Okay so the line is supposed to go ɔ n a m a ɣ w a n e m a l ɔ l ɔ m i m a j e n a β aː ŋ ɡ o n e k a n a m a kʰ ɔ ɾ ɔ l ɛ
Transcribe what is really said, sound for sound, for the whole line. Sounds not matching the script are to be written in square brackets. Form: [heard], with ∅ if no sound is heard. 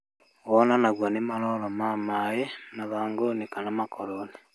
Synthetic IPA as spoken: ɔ n a [n] a ɣ w a n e m a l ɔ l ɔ m [a] m a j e n a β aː ŋ ɡ o n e k a n a m a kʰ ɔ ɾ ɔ l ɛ